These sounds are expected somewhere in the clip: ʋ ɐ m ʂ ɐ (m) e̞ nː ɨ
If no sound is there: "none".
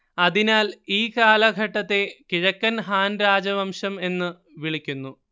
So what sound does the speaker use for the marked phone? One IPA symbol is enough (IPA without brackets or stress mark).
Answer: m